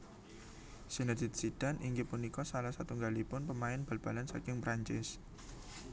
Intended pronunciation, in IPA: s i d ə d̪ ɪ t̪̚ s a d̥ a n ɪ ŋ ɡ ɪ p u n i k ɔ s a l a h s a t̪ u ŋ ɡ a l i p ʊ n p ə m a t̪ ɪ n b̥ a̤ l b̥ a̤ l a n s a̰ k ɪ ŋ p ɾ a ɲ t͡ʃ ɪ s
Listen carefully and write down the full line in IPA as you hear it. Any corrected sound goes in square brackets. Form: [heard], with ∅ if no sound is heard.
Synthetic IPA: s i [n] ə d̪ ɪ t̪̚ s [i] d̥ a n [i] ŋ ɡ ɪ p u n i k ɔ s a l a h s a t̪ u ŋ ɡ a l i p ʊ n p ə m a [∅] ɪ n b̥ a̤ l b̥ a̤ l a n s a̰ k ɪ ŋ p ɾ a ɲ t͡ʃ ɪ s